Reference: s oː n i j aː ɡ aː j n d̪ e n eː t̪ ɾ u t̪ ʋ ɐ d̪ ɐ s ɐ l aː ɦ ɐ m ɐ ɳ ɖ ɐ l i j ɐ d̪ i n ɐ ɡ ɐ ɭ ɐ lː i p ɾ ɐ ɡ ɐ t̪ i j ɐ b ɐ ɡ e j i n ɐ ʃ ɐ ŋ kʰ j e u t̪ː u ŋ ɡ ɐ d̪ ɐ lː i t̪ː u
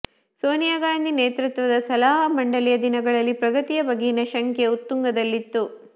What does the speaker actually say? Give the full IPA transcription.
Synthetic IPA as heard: s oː n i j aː ɡ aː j n d̪ i n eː t̪ ɾ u t̪ ʋ ɐ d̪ ɐ s ɐ l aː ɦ ɐ m ɐ ɳ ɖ ɐ l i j ɐ d̪ i n ɐ ɡ ɐ ɭ ɐ lː i p ɾ ɐ ɡ ɐ t̪ i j ɐ b ɐ ɡ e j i n ɐ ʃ ɐ ŋ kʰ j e u t̪ː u ŋ ɡ ɐ d̪ ɐ lː i t̪ː u